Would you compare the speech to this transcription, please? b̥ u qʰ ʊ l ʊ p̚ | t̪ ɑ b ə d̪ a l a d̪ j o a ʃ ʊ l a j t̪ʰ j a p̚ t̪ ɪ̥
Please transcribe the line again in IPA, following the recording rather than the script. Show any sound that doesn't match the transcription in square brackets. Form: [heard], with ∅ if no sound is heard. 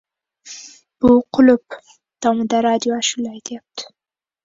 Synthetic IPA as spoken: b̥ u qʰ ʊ l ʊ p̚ | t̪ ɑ [m] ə d̪ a [ɾ] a d̪ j o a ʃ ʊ l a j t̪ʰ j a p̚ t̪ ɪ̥